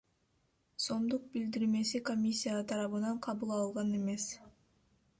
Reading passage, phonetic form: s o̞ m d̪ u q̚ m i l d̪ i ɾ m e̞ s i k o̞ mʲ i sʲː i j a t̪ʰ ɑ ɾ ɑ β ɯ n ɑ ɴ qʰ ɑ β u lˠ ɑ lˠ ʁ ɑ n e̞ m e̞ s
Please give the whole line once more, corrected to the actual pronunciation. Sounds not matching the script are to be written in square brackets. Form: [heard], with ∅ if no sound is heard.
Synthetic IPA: s o̞ m d̪ u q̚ [b] i l d̪ i ɾ m e̞ s i k o̞ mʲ i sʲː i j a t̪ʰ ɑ ɾ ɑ β ɯ n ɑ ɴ qʰ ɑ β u lˠ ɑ lˠ ʁ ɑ n e̞ m e̞ s